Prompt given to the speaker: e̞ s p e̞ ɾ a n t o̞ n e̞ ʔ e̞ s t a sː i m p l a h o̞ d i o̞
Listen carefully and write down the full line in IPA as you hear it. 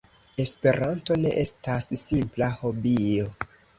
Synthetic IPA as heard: e̞ s p e̞ ɾ a n t o̞ n e̞ ʔ e̞ s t a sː i m p l a h o̞ b i o̞